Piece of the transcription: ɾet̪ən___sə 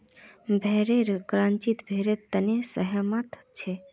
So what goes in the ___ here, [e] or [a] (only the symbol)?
e